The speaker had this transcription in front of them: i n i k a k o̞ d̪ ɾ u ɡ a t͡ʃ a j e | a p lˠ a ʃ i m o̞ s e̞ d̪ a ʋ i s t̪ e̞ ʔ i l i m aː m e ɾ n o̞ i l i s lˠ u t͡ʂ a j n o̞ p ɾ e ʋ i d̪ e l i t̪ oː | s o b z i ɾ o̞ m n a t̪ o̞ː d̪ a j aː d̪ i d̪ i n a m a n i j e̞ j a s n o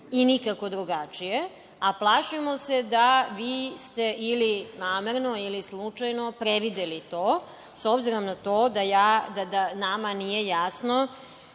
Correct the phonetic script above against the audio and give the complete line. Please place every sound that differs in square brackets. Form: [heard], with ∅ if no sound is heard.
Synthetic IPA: i n i k a k o̞ d̪ ɾ u ɡ a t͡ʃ [i] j e | a p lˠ a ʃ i m o̞ s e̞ d̪ a ʋ [iː] s t̪ e̞ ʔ i l i [n] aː m e ɾ n o̞ i l i s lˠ u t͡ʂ a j n o̞ p ɾ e ʋ i d̪ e l i t̪ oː | s o b z i ɾ o̞ m n a t̪ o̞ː d̪ a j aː d̪ [a] d̪ [a] n a m a n i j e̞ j a s n o